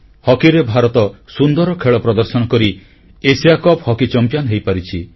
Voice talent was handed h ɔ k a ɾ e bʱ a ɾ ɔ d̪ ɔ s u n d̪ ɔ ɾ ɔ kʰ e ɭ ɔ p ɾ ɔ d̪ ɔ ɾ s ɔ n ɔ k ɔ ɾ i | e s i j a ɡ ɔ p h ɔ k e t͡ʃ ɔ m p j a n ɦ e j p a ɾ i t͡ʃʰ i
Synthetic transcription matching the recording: h ɔ k i ɾ e bʱ a ɾ ɔ t̪ ɔ s u n d̪ ɔ ɾ ɔ kʰ e ɭ ɔ p ɾ ɔ d̪ ɔ ɾ s ɔ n ɔ k ɔ ɾ i | e s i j a k ɔ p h ɔ k i t͡ʃ ɔ m p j a n ɦ e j p a ɾ i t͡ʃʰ i

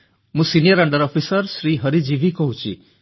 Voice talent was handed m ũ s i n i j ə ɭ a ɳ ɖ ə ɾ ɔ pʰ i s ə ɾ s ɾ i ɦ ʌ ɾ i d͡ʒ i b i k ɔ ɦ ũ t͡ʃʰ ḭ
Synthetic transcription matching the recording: m ũ s i n i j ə ɾ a ɳ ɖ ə ɾ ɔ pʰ i s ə ɾ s ɾ i ɦ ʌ ɾ i d͡ʒ i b i k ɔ ɦ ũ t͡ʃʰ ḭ

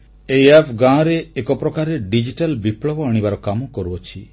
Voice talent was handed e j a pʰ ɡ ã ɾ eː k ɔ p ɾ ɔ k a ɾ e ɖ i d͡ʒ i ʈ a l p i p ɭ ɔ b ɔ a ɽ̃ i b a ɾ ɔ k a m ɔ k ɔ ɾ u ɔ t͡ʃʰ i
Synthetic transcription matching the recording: e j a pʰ ɡ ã ɾ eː k ɔ p ɾ ɔ k a ɾ e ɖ i d͡ʒ i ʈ a l b i p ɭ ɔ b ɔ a ɽ̃ i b a ɾ ɔ k a m ɔ k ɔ ɾ u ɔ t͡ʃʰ i

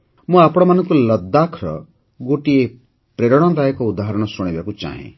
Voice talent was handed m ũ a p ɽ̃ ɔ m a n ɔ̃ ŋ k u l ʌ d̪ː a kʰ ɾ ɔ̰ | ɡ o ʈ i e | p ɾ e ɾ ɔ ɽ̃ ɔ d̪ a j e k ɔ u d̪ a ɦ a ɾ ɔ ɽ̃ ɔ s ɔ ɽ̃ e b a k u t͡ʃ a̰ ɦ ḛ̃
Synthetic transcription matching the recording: m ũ a p ɽ̃ ɔ m a n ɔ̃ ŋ k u l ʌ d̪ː a kʰ ɾ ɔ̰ | ɡ o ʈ i e | p ɾ e ɾ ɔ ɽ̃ ɔ d̪ a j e k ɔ u d̪ a ɦ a ɾ ɔ ɽ̃ ɔ s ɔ ɽ̃ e b a k u t͡ʃ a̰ ɦ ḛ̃

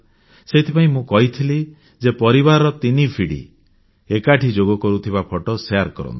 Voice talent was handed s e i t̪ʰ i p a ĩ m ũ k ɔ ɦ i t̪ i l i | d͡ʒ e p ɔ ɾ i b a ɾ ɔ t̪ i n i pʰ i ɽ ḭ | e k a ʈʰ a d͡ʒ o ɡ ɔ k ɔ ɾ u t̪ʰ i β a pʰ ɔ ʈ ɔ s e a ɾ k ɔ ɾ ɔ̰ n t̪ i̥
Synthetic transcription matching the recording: s e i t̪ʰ i p a ĩ m ũ k ɔ ɦ i t̪ʰ i l i | d͡ʒ e p ɔ ɾ i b a ɾ ɔ t̪ i n i pʰ i ɽ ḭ | e k a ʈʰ i d͡ʒ o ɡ ɔ k ɔ ɾ u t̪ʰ i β a pʰ ɔ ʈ ɔ s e a ɾ k ɔ ɾ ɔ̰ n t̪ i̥

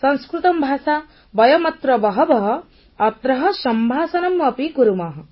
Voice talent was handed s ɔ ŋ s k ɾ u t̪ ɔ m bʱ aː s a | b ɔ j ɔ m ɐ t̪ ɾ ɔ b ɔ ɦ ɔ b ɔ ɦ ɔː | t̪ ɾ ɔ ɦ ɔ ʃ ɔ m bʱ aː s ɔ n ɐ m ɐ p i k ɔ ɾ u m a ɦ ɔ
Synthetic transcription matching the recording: s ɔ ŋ s k ɾ u t̪ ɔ m bʱ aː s a | b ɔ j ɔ m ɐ t̪ ɾ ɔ b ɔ ɦ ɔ b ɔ ɦ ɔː | t̪ ɾ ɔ ɦ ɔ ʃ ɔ m bʱ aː s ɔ n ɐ m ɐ p i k u ɾ u m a ɦ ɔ

